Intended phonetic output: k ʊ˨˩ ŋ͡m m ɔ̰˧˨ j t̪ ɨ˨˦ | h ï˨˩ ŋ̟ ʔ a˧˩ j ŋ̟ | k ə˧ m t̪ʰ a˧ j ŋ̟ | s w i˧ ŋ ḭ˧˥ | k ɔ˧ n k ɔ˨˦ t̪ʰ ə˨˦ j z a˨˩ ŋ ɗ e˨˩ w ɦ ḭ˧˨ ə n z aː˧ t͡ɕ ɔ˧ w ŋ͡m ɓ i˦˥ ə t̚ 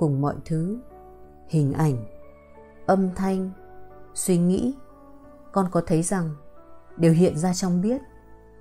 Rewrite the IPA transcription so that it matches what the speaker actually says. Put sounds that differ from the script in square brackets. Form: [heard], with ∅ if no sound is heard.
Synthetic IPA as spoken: k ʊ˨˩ ŋ͡m m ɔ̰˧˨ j [t̪ʰ] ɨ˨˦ | h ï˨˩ ŋ̟ ʔ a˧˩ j ŋ̟ | [ʔ] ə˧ m t̪ʰ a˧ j ŋ̟ | s w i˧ ŋ ḭ˧˥ | k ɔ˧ n k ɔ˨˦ t̪ʰ ə˨˦ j z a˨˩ ŋ ɗ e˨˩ w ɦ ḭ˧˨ ə n z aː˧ t͡ɕ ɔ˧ w ŋ͡m ɓ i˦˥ ə t̚